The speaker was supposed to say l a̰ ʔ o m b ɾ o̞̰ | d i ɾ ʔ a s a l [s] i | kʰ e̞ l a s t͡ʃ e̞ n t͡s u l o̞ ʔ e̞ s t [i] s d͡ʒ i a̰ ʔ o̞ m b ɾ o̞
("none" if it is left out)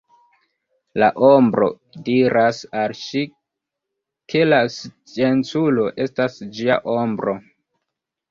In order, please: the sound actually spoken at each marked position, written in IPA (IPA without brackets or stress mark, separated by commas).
ʃ, a